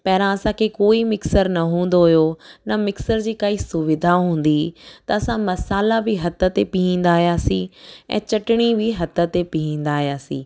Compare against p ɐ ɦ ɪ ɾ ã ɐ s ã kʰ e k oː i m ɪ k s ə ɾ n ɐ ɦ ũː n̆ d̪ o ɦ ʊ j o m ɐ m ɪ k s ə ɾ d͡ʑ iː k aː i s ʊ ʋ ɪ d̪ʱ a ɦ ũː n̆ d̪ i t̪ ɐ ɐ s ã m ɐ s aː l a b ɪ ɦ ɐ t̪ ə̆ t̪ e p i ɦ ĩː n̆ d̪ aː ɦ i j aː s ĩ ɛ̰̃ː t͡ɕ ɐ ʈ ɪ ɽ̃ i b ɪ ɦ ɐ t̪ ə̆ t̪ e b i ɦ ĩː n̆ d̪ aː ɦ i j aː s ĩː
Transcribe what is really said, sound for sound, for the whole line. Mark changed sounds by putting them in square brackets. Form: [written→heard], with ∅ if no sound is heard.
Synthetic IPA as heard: p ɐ ɦ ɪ ɾ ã ɐ s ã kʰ e k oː i m ɪ k s ə ɾ n ɐ ɦ ũː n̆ d̪ o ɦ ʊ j o [m→n] ɐ m ɪ k s ə ɾ d͡ʑ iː k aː i s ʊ ʋ ɪ d̪ʱ a ɦ ũː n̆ d̪ i t̪ ɐ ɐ s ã m ɐ s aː l a b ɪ ɦ ɐ t̪ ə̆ t̪ e p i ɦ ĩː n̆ d̪ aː ɦ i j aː s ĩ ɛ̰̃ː t͡ɕ ɐ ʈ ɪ ɽ̃ i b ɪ ɦ ɐ t̪ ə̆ t̪ e [b→p] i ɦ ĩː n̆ d̪ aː ɦ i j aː s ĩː